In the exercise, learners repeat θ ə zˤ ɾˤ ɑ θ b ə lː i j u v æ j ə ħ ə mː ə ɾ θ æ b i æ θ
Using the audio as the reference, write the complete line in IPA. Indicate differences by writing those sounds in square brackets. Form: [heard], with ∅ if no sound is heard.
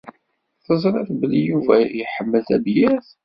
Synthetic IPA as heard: θ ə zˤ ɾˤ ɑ θ b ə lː i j u v æ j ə ħ ə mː ə [l] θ æ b [j] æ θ

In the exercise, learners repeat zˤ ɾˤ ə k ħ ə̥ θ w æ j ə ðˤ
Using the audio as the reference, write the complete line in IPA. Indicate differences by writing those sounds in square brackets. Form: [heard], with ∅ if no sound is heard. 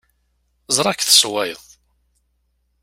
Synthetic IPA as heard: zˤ ɾˤ [ɑ] k [θ] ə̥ [s] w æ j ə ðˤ

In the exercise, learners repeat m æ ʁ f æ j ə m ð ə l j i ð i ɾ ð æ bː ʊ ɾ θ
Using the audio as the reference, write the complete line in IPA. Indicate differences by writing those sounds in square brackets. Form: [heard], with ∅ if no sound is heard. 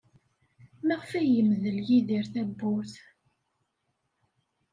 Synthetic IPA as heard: m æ ʁ f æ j ə m ð ə l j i ð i ɾ [θ] æ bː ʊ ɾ θ

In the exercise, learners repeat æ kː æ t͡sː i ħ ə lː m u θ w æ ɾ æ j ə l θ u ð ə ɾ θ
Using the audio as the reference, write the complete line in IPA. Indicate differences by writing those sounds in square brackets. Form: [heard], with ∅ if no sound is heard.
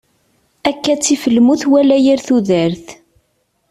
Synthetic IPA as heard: æ kː æ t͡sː i [f] ə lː m u θ w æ [l] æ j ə [ɾ] θ u ð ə ɾ θ

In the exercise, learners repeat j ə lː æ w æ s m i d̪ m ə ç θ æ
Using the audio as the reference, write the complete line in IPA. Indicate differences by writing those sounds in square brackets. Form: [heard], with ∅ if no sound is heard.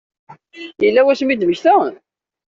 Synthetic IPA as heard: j ə lː æ w æ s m i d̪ m ə ç θ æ

